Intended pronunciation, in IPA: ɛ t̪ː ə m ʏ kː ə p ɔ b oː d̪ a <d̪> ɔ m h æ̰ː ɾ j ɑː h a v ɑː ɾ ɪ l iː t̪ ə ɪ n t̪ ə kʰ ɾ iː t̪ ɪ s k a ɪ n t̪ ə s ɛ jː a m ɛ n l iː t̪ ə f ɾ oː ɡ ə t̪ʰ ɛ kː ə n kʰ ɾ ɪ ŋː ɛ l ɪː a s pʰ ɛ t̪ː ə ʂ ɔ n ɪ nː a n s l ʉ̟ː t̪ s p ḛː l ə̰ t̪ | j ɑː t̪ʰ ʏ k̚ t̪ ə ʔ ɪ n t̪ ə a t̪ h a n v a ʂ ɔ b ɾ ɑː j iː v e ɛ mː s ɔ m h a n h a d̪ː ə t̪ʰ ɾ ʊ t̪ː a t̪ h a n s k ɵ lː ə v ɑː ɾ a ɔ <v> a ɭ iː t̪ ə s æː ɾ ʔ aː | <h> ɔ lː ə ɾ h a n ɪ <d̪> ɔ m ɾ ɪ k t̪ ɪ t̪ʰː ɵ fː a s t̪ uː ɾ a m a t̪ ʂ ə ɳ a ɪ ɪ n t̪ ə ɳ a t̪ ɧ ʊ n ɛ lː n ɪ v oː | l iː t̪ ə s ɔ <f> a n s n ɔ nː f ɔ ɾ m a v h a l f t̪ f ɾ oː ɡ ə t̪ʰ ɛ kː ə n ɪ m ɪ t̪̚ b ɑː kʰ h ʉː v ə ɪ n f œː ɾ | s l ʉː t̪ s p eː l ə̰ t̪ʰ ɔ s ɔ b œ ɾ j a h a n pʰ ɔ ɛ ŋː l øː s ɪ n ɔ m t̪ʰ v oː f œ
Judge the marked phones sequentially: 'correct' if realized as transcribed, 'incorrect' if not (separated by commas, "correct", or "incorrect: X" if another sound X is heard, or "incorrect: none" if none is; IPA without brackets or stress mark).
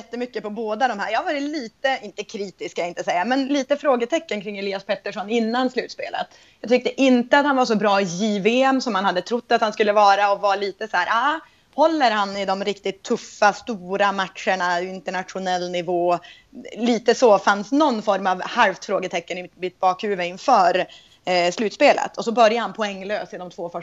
correct, correct, correct, correct, correct